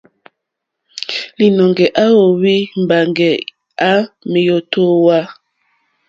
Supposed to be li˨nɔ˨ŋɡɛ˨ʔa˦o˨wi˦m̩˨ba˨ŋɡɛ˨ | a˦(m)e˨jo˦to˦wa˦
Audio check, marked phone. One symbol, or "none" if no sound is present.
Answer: m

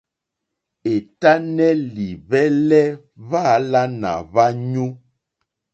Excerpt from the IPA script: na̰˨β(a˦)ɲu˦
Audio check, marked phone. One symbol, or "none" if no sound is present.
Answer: a˦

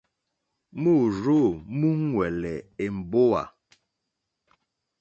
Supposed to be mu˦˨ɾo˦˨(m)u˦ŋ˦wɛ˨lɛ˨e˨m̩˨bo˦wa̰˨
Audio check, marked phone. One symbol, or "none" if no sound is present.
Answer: m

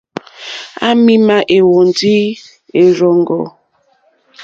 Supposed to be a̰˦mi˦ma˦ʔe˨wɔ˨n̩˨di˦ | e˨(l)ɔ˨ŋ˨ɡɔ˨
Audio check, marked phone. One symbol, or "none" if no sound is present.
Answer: ɾ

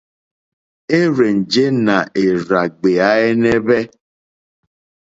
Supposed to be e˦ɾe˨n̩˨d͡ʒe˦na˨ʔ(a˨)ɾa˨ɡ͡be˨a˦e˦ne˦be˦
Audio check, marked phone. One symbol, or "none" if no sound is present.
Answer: e˨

